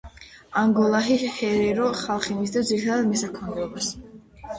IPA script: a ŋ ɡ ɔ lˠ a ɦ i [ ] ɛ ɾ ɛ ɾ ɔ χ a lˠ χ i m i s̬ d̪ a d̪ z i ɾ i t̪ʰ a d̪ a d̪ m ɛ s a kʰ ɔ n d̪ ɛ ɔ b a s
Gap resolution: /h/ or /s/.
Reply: h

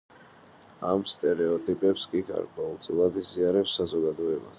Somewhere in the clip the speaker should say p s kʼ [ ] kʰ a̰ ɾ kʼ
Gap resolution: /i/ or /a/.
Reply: i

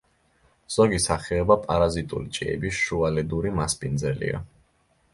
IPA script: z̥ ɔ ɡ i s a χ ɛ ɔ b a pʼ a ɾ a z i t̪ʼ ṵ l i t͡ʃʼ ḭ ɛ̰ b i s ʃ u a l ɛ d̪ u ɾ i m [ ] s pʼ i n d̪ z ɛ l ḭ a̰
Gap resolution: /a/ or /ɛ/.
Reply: a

